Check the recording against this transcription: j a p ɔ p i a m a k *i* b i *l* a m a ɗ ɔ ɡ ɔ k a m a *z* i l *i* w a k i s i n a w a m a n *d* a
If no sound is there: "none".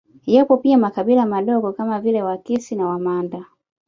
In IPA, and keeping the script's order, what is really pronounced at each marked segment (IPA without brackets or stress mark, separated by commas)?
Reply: a, l, v, ɛ, d